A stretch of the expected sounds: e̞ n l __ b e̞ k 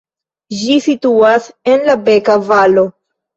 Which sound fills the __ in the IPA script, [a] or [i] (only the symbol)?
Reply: a